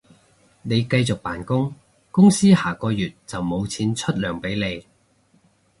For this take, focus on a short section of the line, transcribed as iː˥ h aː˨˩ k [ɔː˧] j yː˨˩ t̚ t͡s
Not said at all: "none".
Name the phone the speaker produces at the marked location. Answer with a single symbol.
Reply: ɔː˧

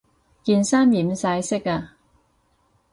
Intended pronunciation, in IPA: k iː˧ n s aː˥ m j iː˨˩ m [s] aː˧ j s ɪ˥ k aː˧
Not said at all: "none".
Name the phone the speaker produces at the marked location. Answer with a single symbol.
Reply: s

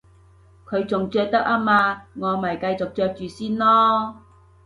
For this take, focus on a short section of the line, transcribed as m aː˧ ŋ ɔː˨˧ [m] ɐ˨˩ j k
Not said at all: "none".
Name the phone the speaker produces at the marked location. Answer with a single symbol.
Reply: m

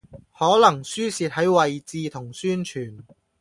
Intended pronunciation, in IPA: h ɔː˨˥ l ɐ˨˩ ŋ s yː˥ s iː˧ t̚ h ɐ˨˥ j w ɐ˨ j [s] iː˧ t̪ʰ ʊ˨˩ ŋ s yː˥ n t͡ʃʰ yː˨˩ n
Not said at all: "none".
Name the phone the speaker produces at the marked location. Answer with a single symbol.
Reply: t͡s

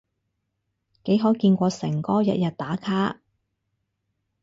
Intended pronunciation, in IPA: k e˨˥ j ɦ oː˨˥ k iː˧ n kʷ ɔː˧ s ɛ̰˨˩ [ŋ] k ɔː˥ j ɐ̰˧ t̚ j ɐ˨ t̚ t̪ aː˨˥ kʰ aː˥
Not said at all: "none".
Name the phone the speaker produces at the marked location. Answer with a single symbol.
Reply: ŋ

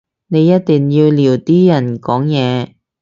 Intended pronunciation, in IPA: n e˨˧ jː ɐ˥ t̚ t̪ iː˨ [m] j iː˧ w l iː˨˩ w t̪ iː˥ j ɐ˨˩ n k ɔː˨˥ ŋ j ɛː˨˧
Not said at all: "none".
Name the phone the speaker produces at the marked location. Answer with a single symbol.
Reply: ŋ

